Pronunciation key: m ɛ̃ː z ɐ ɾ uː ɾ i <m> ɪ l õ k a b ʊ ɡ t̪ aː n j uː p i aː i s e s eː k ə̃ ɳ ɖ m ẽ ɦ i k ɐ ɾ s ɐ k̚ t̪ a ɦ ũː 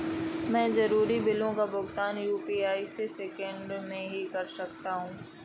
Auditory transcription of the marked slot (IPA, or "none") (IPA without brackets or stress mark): b